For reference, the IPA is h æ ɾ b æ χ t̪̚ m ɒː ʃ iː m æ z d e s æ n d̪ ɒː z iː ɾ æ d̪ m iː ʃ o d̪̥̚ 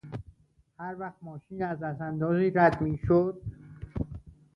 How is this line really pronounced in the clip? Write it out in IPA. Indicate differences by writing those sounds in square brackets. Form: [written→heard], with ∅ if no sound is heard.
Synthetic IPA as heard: h æ ɾ [b→v] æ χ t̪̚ m ɒː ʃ iː [m→n] æ z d [e→æ] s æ n d̪ ɒː z iː ɾ æ d̪ m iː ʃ o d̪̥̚